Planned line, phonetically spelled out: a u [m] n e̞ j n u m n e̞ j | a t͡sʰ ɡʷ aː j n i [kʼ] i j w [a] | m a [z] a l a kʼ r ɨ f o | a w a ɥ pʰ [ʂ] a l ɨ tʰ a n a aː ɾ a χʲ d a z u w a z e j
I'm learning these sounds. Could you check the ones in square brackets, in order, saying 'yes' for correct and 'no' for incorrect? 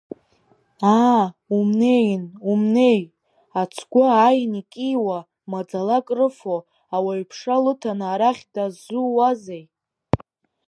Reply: yes, yes, yes, no, yes

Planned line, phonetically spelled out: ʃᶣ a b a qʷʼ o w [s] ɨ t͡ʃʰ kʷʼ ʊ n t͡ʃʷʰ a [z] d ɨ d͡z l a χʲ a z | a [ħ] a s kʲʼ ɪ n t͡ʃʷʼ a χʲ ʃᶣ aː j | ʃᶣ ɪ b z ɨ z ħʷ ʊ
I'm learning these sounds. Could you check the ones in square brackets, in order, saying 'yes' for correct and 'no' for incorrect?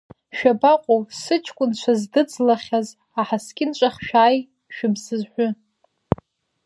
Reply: yes, yes, yes

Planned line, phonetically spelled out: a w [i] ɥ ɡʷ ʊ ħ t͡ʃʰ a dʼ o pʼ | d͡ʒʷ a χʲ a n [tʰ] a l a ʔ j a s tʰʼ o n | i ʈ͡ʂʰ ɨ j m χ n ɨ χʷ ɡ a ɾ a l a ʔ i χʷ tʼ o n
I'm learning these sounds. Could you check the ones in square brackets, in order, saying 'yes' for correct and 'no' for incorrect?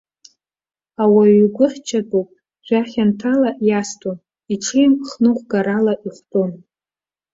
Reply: no, yes

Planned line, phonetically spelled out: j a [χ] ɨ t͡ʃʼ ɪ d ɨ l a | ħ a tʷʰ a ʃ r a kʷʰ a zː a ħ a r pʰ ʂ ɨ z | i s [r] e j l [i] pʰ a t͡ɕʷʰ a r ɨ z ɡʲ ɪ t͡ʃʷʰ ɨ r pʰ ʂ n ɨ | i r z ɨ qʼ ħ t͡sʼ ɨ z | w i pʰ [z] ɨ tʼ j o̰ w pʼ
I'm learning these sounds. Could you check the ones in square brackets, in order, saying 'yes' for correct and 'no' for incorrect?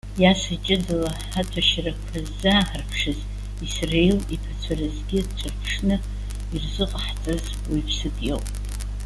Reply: no, yes, yes, no

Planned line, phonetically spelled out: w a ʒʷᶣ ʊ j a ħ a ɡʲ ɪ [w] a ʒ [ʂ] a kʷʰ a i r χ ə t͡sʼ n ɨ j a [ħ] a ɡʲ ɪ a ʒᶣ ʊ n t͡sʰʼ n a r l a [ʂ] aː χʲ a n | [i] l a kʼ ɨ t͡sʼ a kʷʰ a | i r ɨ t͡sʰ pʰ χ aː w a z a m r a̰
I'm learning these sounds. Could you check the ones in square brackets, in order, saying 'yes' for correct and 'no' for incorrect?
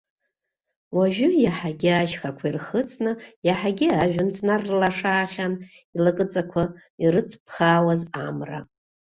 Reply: no, no, yes, yes, yes

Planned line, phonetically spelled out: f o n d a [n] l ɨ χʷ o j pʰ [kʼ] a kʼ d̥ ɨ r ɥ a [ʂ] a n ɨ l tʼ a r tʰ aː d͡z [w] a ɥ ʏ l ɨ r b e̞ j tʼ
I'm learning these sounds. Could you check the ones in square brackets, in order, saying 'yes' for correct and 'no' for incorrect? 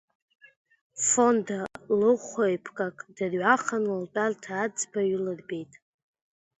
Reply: no, yes, no, no

